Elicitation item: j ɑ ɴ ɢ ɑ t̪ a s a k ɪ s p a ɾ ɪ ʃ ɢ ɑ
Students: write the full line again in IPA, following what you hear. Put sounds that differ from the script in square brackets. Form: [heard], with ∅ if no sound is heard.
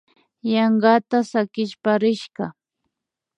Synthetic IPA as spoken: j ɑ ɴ ɢ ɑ t̪ a s a k ɪ [ʃ] p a ɾ ɪ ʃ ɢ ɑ